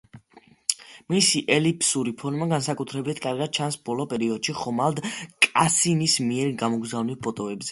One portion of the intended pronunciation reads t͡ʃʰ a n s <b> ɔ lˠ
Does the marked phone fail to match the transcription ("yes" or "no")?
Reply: no